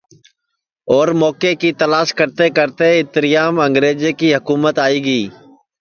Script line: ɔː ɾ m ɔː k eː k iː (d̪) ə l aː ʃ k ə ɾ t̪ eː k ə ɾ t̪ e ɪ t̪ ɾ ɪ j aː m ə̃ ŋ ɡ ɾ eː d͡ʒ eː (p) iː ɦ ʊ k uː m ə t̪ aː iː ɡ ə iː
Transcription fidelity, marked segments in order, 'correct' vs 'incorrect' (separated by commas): incorrect, incorrect